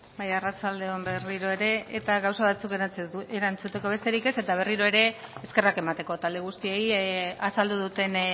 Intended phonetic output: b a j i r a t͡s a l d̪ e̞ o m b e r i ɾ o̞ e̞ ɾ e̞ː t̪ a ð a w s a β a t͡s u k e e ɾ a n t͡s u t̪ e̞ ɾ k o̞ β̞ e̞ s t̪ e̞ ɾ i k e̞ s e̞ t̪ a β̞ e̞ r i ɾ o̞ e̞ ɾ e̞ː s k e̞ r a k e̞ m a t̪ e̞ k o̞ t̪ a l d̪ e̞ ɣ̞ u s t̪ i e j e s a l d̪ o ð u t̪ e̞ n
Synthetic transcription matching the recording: b a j a r a t͡s a l d̪ e̞ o m b e r i ɾ o̞ e̞ ɾ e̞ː t̪ a ɣ a w s a β a t͡s u k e e ɾ a n t͡s u t̪ e̞ k o̞ β̞ e̞ s t̪ e̞ ɾ i k e̞ s e̞ t̪ a β̞ e̞ r i ɾ o̞ e̞ ɾ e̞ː s k e̞ r a k e̞ m a t̪ e̞ k o̞ t̪ a l d̪ e̞ ɣ̞ u s t̪ i e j a s a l d̪ u ð u t̪ e̞ n